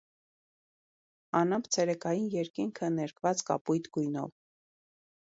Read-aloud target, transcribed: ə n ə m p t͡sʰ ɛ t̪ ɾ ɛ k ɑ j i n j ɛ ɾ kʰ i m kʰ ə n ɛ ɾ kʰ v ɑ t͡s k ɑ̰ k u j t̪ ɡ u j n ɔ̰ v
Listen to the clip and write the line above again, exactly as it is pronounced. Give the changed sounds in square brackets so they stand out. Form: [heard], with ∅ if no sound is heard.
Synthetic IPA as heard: [ɑ] n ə m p t͡sʰ ɛ [∅] ɾ ɛ k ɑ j i n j ɛ ɾ [k] i [ŋ] kʰ ə n ɛ ɾ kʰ v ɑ t͡s k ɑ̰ [p] u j t̪ ɡ u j n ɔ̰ v